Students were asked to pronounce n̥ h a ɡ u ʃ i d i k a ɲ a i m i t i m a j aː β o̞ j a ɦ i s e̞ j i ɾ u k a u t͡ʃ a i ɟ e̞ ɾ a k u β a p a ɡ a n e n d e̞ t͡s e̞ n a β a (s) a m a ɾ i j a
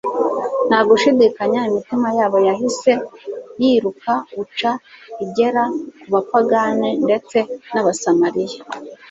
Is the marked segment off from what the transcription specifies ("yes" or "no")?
no